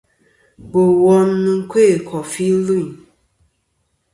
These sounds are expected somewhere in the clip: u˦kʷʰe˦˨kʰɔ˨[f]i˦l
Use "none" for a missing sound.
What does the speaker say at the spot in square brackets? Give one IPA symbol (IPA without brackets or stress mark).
f